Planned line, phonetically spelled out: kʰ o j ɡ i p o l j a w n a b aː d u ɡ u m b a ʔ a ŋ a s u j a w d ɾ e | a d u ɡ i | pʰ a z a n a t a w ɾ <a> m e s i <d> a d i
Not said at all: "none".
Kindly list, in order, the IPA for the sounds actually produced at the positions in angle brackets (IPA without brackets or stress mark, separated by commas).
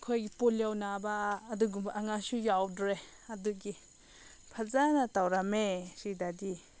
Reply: a, d